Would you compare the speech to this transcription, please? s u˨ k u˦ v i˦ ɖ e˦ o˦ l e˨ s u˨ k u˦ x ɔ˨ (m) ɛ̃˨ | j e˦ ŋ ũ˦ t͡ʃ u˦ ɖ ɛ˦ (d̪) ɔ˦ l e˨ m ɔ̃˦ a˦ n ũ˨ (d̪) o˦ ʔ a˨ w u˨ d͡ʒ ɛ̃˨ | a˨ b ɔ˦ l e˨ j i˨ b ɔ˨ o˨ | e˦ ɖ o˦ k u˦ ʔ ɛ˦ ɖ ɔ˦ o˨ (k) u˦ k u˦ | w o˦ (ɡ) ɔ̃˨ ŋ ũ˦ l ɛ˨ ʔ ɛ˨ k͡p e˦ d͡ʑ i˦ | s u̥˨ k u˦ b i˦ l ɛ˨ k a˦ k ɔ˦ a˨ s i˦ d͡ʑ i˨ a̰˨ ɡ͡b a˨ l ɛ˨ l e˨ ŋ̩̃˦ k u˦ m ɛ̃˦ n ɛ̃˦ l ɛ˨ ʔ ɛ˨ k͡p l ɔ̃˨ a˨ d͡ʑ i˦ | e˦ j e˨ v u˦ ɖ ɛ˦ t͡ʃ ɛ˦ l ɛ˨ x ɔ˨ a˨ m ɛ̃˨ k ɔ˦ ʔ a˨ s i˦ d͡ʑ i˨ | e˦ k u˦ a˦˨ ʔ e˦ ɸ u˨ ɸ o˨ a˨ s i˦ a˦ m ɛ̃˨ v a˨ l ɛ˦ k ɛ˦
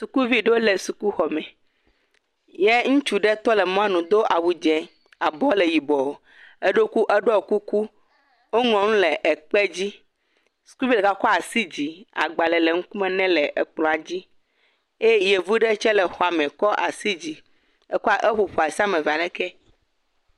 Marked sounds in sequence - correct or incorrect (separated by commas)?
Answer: correct, incorrect, correct, correct, incorrect